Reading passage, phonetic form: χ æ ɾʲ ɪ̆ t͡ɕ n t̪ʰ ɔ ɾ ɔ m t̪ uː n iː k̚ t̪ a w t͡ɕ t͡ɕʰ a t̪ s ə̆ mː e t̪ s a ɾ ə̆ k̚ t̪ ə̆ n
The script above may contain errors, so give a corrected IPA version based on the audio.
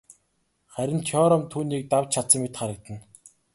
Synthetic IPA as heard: χ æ ɾʲ ɪ̆ n t̪ʰ ɔ ɾ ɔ m t̪ʰ uː n iː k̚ t̪ a w t͡ɕ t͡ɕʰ a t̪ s ə̆ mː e t̪ χ a ɾ ə̆ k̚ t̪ ə̆ n